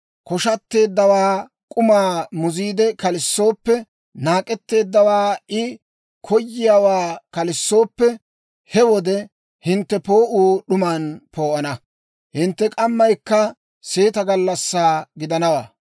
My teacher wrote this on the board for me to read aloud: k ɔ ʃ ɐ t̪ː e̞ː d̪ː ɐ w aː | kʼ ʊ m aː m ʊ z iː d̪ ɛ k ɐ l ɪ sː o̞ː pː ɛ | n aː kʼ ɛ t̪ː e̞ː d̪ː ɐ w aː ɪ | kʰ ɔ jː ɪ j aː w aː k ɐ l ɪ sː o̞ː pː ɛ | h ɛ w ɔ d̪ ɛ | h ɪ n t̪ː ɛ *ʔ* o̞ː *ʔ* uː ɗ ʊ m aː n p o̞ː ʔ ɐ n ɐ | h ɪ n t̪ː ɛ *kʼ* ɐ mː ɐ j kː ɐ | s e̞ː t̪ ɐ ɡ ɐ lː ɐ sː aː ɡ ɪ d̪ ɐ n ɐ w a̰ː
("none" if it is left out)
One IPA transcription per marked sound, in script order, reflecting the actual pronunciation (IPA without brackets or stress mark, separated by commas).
p, ʔ, kʼ